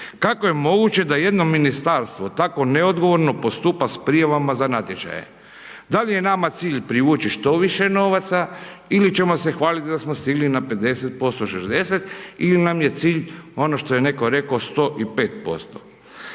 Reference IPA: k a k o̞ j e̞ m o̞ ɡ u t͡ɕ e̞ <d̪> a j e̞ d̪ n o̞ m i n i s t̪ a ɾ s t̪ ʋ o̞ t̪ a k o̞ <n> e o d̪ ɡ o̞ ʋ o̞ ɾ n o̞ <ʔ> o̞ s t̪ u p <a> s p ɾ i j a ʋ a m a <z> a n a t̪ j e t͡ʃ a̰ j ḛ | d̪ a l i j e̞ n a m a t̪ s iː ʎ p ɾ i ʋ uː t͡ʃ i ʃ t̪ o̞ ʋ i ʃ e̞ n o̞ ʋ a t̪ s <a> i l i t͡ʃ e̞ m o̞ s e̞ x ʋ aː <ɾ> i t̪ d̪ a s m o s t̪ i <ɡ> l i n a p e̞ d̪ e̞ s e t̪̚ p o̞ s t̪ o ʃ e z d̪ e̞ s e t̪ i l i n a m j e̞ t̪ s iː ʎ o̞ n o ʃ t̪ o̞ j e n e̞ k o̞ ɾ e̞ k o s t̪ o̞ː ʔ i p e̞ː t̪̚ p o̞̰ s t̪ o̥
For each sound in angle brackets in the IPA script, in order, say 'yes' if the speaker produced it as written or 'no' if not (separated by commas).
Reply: yes, yes, no, yes, yes, yes, no, yes